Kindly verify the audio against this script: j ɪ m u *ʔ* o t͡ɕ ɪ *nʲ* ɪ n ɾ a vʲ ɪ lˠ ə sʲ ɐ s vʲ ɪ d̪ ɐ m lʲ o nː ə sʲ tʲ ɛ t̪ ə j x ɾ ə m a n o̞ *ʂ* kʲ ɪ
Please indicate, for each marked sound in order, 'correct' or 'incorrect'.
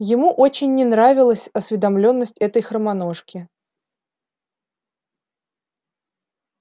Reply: correct, incorrect: nʲː, correct

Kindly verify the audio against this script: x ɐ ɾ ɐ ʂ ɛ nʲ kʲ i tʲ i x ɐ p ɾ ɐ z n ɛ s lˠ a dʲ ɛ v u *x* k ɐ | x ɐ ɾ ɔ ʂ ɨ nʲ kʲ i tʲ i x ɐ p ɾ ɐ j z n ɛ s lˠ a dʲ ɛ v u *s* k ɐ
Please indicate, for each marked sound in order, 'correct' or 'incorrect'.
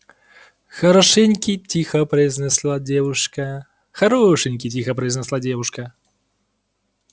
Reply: incorrect: ʂ, incorrect: ʂ

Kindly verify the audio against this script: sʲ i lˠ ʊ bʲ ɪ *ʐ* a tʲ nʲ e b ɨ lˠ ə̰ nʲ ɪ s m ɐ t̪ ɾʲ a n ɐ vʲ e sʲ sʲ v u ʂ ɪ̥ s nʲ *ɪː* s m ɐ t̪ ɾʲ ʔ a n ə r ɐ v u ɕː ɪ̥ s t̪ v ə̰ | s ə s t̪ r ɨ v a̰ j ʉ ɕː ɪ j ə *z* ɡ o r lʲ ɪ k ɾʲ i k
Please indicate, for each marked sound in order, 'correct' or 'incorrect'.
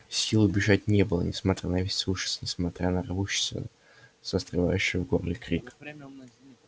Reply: correct, incorrect: ɪ, incorrect: v

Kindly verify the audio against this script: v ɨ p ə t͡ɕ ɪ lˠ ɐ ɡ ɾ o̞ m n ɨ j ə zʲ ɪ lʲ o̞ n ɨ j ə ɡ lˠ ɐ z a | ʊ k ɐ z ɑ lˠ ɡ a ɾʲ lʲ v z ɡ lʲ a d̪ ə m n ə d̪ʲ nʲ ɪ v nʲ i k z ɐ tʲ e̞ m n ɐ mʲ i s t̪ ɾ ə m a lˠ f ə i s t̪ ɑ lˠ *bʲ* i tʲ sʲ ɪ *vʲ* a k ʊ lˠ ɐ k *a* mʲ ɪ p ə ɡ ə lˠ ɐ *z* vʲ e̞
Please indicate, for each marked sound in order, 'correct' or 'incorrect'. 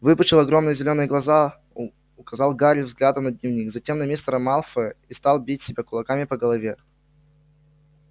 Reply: correct, incorrect: bʲ, correct, incorrect: none

